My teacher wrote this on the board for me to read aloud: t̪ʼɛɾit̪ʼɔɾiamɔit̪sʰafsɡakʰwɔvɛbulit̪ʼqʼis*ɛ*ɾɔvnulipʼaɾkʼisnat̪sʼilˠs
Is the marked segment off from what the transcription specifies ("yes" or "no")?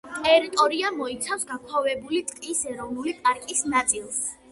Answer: no